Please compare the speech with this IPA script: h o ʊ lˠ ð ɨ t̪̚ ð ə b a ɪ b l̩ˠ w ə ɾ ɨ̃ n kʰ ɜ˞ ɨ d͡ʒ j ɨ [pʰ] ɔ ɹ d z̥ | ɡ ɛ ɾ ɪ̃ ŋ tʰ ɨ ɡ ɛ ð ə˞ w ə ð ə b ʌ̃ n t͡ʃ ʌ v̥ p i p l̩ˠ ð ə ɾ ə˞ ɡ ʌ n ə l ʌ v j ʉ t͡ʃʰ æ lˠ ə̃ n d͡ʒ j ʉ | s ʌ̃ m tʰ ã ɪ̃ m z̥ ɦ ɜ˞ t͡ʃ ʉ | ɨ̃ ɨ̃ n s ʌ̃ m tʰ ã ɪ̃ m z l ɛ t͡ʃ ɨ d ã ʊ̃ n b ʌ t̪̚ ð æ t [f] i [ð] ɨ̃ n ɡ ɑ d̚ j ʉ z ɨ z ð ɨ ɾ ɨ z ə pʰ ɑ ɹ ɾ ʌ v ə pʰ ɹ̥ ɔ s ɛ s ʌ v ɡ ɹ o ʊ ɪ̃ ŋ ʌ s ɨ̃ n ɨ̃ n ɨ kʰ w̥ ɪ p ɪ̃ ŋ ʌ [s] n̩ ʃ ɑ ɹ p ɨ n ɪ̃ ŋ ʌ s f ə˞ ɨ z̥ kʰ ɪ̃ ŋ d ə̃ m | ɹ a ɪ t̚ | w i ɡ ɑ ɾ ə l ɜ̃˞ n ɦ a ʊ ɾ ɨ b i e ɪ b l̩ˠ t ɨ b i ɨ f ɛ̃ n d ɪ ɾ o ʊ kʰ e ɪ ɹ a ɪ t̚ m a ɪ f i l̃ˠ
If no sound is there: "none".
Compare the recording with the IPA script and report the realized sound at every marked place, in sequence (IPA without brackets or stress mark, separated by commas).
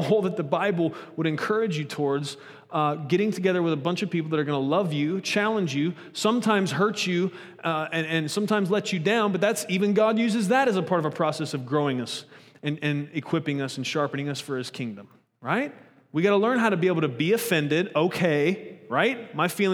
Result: tʰ, s, v, s